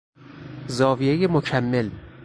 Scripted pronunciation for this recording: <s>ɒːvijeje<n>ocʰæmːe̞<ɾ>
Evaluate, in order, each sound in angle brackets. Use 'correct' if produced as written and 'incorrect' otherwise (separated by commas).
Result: incorrect, incorrect, incorrect